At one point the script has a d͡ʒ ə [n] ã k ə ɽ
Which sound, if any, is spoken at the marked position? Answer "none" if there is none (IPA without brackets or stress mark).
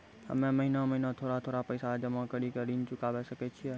m